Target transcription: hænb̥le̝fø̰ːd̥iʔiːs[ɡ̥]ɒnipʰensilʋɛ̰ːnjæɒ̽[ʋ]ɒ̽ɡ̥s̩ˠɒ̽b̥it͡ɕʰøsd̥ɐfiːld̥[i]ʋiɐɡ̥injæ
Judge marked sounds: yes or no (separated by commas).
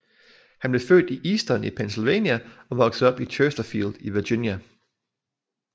no, yes, yes